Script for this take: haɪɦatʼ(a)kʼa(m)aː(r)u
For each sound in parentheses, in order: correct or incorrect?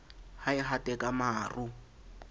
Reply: incorrect, correct, correct

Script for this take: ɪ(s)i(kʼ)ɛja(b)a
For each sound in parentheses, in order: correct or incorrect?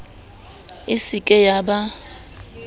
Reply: correct, correct, correct

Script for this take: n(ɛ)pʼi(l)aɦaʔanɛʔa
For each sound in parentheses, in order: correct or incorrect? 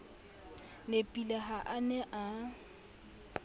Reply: incorrect, correct

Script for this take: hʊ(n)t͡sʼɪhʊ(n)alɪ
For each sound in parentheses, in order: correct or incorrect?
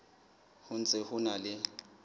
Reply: correct, correct

